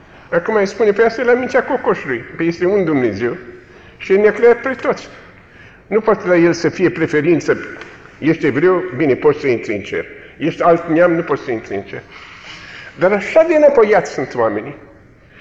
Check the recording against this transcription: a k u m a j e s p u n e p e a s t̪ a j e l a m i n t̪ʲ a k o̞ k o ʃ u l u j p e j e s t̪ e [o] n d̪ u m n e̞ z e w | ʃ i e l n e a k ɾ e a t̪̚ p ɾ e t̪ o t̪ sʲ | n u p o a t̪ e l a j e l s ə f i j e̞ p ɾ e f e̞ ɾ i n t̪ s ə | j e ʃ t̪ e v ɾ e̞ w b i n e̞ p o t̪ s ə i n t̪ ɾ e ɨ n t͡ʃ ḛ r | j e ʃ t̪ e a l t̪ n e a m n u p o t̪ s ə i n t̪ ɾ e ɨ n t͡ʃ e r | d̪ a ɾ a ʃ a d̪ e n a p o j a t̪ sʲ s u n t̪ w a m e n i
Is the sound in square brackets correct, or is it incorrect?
incorrect